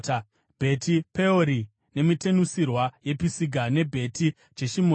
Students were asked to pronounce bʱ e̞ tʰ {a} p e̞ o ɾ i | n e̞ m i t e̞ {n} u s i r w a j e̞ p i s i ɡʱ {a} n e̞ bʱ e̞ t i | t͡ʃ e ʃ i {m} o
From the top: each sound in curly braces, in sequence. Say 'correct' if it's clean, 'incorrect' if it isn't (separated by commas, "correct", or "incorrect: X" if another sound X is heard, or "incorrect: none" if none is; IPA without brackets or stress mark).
incorrect: i, correct, correct, correct